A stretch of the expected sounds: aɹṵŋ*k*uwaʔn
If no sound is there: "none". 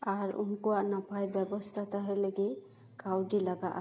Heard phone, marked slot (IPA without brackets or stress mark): k